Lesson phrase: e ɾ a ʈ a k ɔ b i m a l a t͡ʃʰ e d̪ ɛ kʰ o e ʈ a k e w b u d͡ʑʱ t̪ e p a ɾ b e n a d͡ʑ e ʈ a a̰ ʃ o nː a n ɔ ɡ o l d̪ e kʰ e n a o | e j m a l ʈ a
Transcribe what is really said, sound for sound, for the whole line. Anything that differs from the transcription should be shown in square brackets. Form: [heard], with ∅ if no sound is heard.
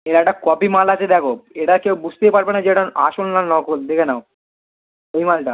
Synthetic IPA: e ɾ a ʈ a k ɔ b i m a l a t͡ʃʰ e d̪ ɛ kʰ o e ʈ a k e w b u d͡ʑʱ t̪ e p a ɾ b e n a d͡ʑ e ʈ a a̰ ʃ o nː a n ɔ [k] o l d̪ e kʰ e n a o | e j m a l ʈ a

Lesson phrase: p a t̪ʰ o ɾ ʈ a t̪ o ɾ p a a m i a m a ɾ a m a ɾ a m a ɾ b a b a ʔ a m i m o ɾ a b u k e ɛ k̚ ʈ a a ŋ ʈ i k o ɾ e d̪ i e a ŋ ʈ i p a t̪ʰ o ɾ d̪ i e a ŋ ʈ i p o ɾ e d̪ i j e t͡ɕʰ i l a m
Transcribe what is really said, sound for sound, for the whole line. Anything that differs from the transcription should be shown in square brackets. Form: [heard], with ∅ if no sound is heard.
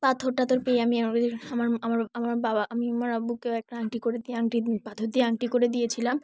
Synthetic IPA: p a t̪ʰ o ɾ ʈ a t̪ o ɾ p [e] a m i a m a ɾ a m a ɾ a m a ɾ b a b a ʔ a m i m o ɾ a b u k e ɛ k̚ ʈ a a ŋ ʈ i k o ɾ e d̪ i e a ŋ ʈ i p a t̪ʰ o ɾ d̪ i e a ŋ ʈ i [k] o ɾ e d̪ i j e t͡ɕʰ i l a m

